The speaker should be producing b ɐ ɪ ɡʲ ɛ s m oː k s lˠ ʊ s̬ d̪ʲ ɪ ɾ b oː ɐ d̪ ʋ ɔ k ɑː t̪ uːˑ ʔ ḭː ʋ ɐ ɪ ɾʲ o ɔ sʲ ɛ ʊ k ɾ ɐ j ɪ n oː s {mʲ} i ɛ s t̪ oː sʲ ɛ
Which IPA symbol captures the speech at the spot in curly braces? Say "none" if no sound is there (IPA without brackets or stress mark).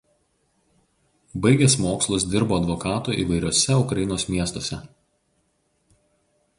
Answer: mʲ